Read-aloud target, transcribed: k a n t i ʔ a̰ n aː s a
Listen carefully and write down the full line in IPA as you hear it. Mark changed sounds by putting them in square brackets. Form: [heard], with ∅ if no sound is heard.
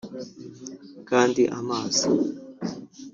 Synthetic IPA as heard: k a n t i ʔ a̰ [m] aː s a